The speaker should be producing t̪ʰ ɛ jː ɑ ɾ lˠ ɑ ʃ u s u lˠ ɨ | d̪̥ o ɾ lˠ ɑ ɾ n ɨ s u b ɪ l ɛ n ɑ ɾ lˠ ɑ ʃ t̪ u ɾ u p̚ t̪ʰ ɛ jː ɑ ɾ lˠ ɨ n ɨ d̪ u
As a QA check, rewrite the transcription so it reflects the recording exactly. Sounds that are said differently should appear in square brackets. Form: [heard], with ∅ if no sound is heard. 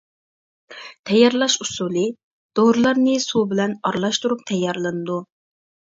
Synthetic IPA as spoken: t̪ʰ ɛ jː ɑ ɾ lˠ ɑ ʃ u s u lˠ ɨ | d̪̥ o ɾ lˠ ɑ ɾ n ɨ s u b ɪ l ɛ n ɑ ɾ lˠ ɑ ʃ t̪ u ɾ u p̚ t̪ʰ ɛ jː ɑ ɾ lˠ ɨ n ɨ d̪ u